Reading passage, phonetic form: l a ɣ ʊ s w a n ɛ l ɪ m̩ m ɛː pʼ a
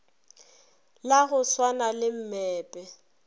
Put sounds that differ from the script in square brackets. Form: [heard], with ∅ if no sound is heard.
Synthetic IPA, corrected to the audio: l a ɣ ʊ s w a n [a] l ɪ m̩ m ɛː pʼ [ɛ]

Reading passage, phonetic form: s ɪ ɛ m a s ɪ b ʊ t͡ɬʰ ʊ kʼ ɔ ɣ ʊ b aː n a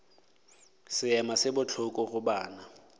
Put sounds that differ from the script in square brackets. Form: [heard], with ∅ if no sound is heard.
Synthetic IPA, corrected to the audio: s ɪ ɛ m a s ɪ b ʊ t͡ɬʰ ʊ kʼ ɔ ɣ ʊ b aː n a

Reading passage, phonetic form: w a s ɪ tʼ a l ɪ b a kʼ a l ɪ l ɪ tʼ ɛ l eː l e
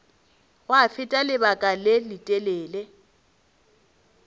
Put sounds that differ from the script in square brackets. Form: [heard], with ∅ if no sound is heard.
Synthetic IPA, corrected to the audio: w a [f] ɪ tʼ a l ɪ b a kʼ a l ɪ l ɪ tʼ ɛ l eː l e

